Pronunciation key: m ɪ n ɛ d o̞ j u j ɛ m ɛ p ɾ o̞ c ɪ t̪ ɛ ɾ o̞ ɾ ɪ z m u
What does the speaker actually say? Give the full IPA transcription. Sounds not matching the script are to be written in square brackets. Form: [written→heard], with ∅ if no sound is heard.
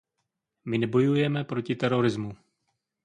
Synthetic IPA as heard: m ɪ n ɛ [d→b] o̞ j u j ɛ m ɛ p ɾ o̞ c ɪ t̪ ɛ ɾ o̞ ɾ ɪ z m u

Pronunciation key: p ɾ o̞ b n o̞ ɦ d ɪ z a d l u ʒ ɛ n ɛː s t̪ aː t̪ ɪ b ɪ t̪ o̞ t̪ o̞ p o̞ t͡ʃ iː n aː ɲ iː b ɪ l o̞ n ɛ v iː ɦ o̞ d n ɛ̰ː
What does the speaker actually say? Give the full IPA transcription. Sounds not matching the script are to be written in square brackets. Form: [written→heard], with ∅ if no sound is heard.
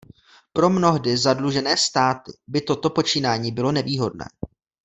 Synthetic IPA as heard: p ɾ o̞ [b→m] n o̞ ɦ d ɪ z a d l u ʒ ɛ n ɛː s t̪ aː t̪ ɪ b ɪ t̪ o̞ t̪ o̞ p o̞ t͡ʃ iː n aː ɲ iː b ɪ l o̞ n ɛ v iː ɦ o̞ d n ɛ̰ː

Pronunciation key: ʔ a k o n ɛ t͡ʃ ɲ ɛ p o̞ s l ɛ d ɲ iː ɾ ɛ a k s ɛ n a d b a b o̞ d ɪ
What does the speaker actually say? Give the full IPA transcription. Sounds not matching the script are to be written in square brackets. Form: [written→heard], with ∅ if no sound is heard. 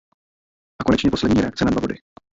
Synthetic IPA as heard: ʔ a k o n ɛ t͡ʃ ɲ ɛ p o̞ s l ɛ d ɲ iː ɾ ɛ a k [s→t͡s] ɛ n a d [b→v] a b o̞ d ɪ

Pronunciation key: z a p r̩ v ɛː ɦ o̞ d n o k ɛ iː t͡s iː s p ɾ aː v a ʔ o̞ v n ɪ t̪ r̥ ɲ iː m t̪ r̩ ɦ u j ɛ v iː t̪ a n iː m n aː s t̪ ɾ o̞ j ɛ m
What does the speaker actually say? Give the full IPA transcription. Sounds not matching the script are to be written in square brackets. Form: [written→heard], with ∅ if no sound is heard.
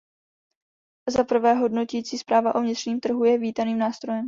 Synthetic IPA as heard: z a p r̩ v ɛː ɦ o̞ d n o [k→c] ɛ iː t͡s iː s p ɾ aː v a ʔ o̞ v [n→ɲ] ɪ t̪ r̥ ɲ iː m t̪ r̩ ɦ u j ɛ v iː t̪ a n iː m n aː s t̪ ɾ o̞ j ɛ m

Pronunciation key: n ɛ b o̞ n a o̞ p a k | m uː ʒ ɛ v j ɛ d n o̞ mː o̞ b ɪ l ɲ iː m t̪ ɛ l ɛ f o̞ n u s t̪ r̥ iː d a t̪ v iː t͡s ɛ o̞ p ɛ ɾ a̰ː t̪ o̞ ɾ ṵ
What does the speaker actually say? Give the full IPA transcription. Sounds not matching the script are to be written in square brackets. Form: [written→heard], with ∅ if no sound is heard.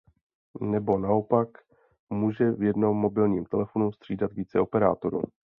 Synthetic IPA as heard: n ɛ b o̞ n a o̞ p a k | m uː ʒ ɛ v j ɛ d n o̞ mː o̞ b ɪ l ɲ iː m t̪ ɛ l ɛ f o̞ n u s t̪ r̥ iː d a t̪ v iː t͡s ɛ o̞ p ɛ ɾ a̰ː t̪ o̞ ɾ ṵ

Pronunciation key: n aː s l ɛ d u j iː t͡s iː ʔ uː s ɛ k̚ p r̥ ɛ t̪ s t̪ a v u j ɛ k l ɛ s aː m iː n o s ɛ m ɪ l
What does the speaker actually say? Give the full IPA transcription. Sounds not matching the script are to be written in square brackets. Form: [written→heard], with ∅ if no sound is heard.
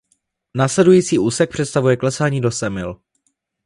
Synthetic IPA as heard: n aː s l ɛ d u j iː t͡s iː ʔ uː s ɛ k̚ p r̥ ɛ t̪ s t̪ a v u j ɛ k l ɛ s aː [m→ɲ] iː [n→d] o s ɛ m ɪ l

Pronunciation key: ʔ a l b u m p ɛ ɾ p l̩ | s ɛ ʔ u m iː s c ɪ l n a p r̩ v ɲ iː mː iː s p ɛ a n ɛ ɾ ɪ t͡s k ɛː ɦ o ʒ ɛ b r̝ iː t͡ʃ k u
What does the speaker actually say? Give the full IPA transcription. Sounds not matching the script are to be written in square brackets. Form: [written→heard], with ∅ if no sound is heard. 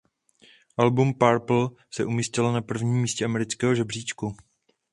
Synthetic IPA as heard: ʔ a l b u m p [ɛ→a] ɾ p l̩ | s ɛ ʔ u m iː s c ɪ l n a p r̩ v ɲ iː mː iː s [p→c] ɛ a [n→m] ɛ ɾ ɪ t͡s k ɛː ɦ o ʒ ɛ b r̝ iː t͡ʃ k u

